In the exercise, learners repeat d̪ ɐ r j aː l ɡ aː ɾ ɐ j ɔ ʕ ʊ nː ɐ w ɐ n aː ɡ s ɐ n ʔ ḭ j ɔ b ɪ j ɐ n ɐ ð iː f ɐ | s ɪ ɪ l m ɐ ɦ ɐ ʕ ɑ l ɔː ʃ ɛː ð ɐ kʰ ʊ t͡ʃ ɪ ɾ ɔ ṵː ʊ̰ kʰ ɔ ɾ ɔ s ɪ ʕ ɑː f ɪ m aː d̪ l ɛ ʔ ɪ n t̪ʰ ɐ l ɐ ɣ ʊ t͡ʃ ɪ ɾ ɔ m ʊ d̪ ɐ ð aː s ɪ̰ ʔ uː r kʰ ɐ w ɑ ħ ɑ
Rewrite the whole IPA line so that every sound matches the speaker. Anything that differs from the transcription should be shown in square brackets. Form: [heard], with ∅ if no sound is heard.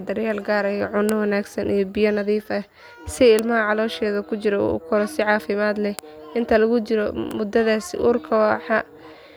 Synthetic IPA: d̪ ɐ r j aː l ɡ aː ɾ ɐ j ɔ ʕ ʊ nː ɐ w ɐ n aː ɡ s ɐ n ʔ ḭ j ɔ b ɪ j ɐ n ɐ ð iː f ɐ | s ɪ ɪ l m ɐ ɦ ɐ ʕ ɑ l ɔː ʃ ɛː ð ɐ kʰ ʊ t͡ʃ ɪ ɾ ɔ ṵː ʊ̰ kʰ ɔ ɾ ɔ s ɪ ʕ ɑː f ɪ m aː d̪ l ɛ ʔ ɪ n t̪ʰ ɐ l ɐ ɣ ʊ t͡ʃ ɪ ɾ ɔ m ʊ d̪ ɐ ð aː s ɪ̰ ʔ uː r kʰ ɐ w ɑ ħ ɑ

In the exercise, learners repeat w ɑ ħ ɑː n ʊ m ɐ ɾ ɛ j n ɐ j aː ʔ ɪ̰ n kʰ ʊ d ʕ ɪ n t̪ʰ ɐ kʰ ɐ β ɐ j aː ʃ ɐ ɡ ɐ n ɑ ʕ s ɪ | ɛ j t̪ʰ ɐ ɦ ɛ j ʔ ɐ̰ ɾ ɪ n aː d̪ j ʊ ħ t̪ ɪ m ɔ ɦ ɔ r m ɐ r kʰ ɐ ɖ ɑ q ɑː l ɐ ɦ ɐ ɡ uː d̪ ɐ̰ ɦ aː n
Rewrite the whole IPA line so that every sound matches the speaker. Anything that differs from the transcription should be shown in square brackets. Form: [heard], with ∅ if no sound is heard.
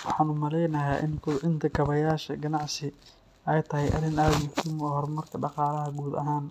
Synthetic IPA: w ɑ ħ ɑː n ʊ m ɐ [l] ɛ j n ɐ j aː ʔ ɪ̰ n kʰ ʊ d ʕ ɪ n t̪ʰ ɐ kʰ ɐ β ɐ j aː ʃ ɐ ɡ ɐ n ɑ ʕ s ɪ | ɛ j t̪ʰ ɐ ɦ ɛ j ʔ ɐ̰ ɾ ɪ n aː d̪ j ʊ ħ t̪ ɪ m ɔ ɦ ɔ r m ɐ r kʰ ɐ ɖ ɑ q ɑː l ɐ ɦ ɐ ɡ uː d̪ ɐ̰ ɦ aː n

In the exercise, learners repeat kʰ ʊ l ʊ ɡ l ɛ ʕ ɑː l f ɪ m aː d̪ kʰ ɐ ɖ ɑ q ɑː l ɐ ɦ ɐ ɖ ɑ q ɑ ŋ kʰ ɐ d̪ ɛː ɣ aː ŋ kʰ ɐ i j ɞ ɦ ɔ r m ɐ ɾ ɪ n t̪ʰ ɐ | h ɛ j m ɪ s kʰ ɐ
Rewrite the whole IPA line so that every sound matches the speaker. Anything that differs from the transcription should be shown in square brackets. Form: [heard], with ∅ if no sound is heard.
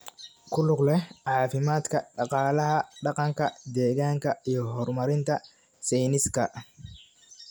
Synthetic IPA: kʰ ʊ l ʊ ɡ l ɛ ʕ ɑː [∅] f ɪ m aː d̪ kʰ ɐ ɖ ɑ q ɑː l ɐ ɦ ɐ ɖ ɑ q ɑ ŋ kʰ ɐ d̪ ɛː ɣ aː ŋ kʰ ɐ i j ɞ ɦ ɔ r m ɐ ɾ ɪ n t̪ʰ ɐ | [s] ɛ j [n] ɪ s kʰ ɐ

